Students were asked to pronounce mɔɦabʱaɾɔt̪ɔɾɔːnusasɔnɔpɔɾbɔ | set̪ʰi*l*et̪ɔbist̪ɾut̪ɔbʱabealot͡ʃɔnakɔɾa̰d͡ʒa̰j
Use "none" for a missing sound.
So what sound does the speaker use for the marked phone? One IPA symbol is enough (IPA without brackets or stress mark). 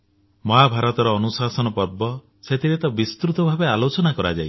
ɾ